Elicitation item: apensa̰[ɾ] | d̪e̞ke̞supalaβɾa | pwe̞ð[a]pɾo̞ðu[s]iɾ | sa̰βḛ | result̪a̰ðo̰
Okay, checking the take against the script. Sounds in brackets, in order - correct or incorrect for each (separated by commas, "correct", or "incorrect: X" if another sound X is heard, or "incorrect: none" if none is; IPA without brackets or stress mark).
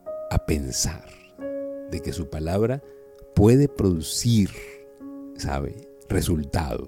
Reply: correct, incorrect: e, correct